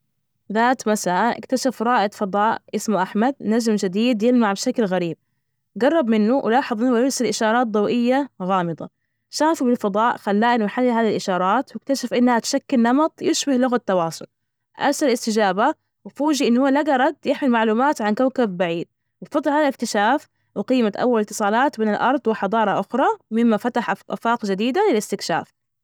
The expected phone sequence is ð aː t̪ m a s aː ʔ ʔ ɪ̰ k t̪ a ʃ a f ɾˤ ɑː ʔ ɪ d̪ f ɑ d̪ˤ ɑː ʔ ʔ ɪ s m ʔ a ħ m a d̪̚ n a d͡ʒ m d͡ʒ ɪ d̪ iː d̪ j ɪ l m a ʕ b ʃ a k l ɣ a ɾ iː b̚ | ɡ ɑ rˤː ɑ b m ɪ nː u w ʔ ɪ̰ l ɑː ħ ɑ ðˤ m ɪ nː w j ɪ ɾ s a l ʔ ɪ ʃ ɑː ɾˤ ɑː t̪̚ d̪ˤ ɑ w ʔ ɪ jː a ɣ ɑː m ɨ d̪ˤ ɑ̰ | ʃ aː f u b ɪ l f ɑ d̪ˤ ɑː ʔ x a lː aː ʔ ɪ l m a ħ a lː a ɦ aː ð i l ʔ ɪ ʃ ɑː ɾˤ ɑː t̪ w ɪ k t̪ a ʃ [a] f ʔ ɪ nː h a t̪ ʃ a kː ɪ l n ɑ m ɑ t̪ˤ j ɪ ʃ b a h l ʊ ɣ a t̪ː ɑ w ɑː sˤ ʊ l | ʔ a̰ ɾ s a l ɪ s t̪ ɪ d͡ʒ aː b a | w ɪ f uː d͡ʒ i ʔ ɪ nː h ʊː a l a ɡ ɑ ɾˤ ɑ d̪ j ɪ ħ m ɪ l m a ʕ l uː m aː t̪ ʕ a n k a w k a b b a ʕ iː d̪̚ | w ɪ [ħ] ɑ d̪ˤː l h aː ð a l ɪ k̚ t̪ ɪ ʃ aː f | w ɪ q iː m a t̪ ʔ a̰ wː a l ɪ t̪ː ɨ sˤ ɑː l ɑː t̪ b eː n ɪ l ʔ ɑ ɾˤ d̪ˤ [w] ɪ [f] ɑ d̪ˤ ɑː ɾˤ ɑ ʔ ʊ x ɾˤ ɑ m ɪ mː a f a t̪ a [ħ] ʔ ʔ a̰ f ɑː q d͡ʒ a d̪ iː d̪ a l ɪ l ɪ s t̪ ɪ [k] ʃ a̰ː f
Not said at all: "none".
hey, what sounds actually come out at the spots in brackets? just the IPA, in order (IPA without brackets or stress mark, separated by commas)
a, f, w, ħ, ħ, k